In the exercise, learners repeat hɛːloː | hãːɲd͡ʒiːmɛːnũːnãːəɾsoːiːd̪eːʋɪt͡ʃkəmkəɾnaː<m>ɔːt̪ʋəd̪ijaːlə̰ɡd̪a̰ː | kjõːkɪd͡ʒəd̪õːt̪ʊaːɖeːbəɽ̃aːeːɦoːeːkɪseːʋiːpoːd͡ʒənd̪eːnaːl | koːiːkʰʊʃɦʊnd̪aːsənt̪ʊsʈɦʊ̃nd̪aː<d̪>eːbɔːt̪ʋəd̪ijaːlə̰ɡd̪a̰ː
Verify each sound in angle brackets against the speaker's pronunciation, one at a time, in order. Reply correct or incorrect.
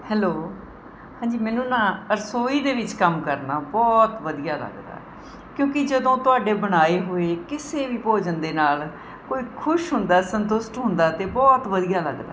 incorrect, incorrect

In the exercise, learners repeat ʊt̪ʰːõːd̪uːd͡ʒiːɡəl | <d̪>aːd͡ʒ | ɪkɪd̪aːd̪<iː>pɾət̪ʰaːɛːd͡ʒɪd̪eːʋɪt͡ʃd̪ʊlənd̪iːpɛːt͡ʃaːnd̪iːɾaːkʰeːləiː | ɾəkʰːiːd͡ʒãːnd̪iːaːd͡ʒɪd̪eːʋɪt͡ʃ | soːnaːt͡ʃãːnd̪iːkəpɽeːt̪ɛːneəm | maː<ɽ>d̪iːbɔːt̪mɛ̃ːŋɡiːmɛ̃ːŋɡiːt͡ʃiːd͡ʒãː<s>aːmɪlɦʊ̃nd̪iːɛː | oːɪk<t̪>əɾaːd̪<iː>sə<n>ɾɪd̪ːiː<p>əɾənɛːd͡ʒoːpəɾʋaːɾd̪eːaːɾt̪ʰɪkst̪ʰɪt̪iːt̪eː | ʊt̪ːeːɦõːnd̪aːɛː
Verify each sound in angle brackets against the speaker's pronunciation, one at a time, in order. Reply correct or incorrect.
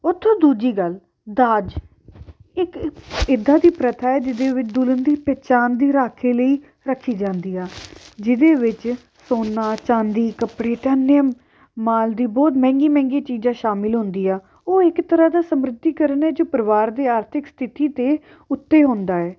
correct, correct, incorrect, incorrect, correct, incorrect, incorrect, incorrect

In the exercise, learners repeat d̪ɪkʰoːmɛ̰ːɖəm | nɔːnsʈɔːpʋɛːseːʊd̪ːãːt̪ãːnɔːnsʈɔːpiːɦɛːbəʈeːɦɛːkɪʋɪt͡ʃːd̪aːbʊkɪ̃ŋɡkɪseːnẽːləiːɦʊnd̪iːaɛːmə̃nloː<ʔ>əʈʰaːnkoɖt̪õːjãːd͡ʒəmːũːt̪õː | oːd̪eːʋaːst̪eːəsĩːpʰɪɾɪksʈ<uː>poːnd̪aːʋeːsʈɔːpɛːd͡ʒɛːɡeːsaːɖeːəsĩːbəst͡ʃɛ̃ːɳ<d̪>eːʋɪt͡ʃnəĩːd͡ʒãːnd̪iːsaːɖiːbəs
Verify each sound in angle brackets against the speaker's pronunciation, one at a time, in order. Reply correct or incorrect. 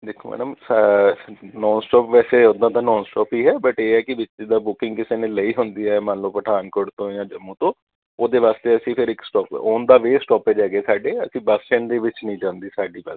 incorrect, incorrect, correct

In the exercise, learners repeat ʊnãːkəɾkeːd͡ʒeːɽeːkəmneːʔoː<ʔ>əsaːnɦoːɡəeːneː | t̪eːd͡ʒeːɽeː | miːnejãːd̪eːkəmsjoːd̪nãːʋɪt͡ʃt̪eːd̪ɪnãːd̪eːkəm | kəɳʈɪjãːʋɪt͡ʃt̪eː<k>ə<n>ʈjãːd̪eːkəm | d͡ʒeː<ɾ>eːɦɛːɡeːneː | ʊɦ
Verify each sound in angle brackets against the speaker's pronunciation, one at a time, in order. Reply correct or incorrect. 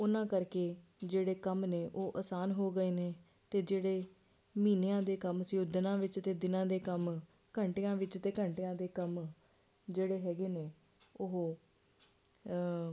correct, correct, incorrect, incorrect

